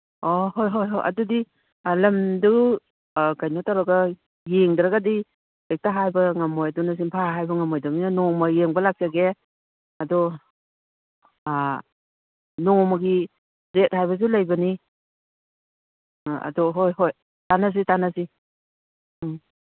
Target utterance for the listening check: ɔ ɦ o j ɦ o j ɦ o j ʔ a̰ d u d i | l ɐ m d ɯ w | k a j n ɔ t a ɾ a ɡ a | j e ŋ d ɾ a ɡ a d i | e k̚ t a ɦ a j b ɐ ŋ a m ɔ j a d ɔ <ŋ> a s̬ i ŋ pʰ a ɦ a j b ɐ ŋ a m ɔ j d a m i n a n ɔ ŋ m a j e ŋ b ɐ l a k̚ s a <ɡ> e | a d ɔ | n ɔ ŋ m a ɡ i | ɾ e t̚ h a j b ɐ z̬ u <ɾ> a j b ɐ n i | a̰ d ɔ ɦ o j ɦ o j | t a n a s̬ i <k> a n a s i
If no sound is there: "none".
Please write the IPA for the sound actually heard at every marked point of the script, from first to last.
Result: n, ɡ, l, t

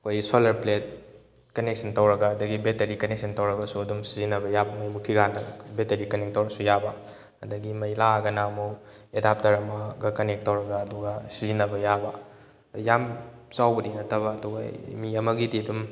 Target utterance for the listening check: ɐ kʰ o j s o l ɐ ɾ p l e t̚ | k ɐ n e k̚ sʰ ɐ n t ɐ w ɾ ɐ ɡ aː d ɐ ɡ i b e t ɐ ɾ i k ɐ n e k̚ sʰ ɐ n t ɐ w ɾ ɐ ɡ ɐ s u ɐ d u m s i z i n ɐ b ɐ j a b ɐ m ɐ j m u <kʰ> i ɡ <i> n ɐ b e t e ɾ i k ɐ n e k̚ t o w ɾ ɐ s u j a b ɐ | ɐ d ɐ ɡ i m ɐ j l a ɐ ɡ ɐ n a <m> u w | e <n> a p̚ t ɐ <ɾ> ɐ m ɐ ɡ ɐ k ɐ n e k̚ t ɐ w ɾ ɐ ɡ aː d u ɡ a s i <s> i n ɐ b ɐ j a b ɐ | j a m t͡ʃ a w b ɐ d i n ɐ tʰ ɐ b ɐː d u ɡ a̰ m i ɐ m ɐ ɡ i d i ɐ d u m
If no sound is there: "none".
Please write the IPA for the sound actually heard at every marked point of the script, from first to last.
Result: kʰ, a, m, d, ɾ, z

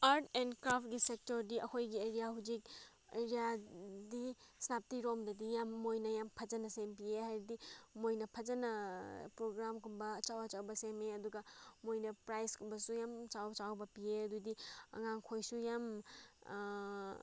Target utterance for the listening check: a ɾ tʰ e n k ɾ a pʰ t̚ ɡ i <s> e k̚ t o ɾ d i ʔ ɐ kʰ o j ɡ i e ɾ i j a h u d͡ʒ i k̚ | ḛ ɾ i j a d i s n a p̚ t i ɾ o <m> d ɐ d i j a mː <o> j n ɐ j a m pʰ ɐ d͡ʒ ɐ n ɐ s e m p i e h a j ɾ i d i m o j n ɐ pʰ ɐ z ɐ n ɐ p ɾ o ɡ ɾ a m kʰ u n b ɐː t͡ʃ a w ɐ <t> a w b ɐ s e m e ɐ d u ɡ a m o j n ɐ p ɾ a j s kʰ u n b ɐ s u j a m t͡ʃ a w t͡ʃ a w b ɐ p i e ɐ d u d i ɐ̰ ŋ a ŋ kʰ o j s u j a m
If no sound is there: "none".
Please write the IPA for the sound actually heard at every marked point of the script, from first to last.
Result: s, m, o, t͡ʃ

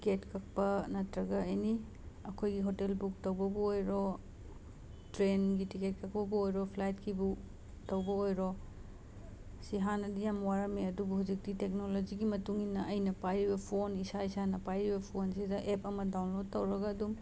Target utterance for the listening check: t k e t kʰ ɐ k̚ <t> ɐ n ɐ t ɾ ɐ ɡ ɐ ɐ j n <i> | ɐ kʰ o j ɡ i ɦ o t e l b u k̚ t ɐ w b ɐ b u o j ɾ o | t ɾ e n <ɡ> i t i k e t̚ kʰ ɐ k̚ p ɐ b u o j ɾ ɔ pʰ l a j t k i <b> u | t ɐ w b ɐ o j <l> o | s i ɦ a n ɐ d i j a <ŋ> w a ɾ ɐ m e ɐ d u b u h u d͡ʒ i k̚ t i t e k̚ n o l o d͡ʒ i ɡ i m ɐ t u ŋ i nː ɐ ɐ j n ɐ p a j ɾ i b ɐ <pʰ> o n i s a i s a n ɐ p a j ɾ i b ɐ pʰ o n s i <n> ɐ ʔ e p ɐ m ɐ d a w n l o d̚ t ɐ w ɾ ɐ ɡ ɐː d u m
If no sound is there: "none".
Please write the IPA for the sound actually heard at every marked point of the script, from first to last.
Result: p, i, ɡ, b, ɾ, m, pʰ, d

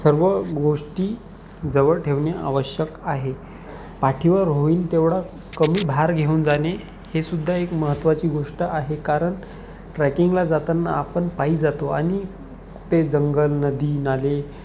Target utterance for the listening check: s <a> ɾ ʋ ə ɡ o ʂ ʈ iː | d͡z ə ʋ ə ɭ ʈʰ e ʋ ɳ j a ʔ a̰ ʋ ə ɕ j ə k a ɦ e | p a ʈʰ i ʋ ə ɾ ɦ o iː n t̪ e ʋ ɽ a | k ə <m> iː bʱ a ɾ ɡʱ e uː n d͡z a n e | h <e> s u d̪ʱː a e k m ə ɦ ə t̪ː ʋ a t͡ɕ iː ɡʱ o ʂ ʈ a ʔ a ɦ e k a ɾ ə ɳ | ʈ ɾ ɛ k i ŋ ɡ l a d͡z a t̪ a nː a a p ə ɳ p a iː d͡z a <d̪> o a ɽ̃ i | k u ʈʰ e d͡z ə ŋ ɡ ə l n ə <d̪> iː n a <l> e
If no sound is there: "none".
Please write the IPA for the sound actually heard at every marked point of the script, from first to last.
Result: ə, m, e, t̪, d̪, l

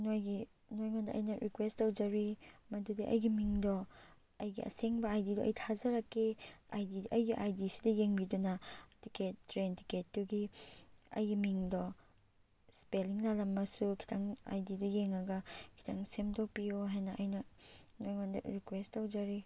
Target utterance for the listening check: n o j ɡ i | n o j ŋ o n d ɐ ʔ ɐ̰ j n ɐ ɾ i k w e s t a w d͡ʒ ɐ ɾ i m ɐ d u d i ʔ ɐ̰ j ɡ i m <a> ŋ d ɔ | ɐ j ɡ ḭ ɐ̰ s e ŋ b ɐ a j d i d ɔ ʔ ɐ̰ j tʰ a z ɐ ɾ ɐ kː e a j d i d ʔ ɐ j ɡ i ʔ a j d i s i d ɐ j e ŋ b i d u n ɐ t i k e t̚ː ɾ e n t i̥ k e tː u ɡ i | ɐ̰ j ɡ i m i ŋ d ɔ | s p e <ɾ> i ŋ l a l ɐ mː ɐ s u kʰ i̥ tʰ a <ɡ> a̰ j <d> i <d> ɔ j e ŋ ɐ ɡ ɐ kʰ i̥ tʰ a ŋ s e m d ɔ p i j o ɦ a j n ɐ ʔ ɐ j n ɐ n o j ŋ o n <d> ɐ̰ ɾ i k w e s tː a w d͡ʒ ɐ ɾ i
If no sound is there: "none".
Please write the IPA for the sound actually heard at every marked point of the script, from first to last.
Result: i, l, ŋ, d, d, d

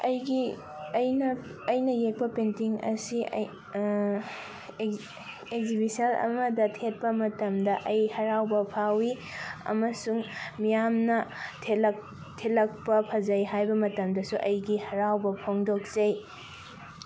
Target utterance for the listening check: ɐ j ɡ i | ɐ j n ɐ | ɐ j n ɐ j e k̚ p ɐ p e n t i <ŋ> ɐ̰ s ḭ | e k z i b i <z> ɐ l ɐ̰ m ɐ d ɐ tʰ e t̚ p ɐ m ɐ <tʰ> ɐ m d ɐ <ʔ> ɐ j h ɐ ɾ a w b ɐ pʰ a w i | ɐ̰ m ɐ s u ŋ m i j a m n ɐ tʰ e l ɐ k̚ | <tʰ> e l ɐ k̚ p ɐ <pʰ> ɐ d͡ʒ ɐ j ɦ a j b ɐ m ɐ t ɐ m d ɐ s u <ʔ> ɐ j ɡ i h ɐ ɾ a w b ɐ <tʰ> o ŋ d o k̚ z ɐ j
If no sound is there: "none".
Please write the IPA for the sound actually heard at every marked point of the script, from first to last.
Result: ŋ, s, t, ʔ, tʰ, pʰ, ʔ, pʰ

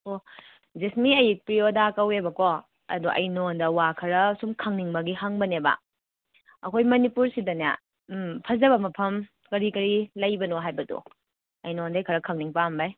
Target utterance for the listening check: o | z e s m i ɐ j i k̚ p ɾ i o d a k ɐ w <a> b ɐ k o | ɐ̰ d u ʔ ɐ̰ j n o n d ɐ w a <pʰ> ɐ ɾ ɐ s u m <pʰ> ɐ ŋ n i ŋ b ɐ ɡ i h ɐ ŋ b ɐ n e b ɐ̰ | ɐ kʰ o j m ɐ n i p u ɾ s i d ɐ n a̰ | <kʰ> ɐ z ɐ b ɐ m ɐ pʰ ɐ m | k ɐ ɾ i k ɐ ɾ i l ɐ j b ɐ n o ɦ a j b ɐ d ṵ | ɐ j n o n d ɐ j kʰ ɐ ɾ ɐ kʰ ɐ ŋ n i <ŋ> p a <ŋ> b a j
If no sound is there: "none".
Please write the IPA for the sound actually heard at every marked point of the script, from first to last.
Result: e, kʰ, kʰ, pʰ, ŋ, m

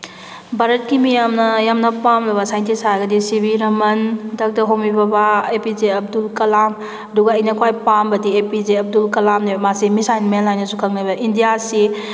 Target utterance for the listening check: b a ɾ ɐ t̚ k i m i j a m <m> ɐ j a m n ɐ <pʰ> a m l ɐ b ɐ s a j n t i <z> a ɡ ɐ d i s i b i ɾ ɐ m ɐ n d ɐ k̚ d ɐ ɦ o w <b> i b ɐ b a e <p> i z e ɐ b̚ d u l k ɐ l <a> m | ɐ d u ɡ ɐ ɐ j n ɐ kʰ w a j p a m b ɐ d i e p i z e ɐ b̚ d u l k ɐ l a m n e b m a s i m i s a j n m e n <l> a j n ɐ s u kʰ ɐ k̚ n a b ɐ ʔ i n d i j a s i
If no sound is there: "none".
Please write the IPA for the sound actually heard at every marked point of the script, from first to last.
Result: n, p, s, m, p, a, l

